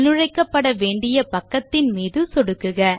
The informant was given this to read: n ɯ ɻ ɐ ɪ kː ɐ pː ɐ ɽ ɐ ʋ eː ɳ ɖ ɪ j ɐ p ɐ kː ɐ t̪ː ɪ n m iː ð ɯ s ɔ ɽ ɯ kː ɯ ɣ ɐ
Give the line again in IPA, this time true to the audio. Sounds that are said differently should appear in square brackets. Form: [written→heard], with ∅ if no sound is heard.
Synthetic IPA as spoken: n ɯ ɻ ɐ ɪ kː ɐ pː ɐ ɽ ɐ ʋ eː ɳ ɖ ɪ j ɐ p ɐ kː ɐ t̪ː ɪ n m iː ð ɯ s ɔ ɽ ɯ kː ɯ ɣ ɐ